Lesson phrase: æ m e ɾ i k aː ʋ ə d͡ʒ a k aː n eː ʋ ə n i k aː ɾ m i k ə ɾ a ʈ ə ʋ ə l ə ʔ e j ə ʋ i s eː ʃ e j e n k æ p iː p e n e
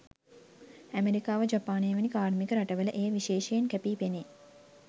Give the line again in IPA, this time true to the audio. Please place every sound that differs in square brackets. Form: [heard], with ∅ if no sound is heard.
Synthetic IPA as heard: æ m e ɾ i k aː ʋ ə d͡ʒ a [p] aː n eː ʋ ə n i k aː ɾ m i k ə ɾ a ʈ ə ʋ ə l ə ʔ e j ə ʋ i [ʃ] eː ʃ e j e n k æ p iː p e n e